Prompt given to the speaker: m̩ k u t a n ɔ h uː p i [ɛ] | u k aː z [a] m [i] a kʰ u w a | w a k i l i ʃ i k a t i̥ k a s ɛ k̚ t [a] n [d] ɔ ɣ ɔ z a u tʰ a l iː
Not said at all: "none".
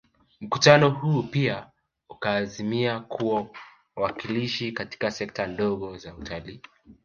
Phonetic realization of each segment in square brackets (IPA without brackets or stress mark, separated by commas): a, i, i, a, d